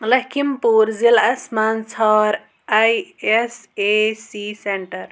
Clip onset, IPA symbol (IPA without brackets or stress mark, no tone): l